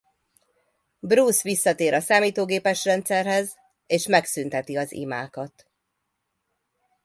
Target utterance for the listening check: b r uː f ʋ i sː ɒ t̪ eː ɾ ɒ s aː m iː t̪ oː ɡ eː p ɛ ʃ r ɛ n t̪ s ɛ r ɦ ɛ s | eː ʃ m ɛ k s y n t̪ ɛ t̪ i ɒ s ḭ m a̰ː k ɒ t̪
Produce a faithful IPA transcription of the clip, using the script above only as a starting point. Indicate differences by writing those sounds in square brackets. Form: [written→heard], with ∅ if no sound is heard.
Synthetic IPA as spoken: b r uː [f→s] ʋ i sː ɒ t̪ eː ɾ ɒ s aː m iː t̪ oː ɡ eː p ɛ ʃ r ɛ n t̪ s ɛ r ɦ ɛ [s→z] | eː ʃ m ɛ k s y n t̪ ɛ t̪ i ɒ [s→z] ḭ m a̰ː k ɒ t̪